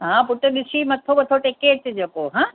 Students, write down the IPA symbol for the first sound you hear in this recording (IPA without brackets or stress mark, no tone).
ɦ